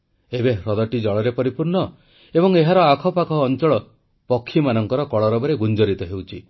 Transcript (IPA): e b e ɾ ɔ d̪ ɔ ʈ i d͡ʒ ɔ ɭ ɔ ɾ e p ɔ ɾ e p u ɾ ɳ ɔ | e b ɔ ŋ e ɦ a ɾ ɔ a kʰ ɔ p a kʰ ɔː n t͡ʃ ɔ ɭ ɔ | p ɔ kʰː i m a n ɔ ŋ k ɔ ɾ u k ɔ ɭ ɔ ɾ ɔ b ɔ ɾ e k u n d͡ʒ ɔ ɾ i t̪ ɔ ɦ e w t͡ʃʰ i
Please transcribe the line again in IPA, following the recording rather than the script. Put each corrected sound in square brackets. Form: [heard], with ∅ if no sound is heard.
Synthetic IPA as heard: e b e ɾ ɔ d̪ ɔ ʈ i d͡ʒ ɔ ɭ ɔ ɾ e p ɔ ɾ [i] p u ɾ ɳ ɔ | e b ɔ ŋ e ɦ a ɾ ɔ a kʰ ɔ p a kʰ ɔː n t͡ʃ ɔ ɭ ɔ | p ɔ kʰː i m a n ɔ ŋ k ɔ ɾ [ɔ] k ɔ ɭ ɔ ɾ ɔ b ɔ ɾ e [ɡ] u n d͡ʒ ɔ ɾ i t̪ ɔ ɦ e w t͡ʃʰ i